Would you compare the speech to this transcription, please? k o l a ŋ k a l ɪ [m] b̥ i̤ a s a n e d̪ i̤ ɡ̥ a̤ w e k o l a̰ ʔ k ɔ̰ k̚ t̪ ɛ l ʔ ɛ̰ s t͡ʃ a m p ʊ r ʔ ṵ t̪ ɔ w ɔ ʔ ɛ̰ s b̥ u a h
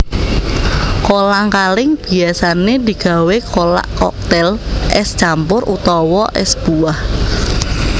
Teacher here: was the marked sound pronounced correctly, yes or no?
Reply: no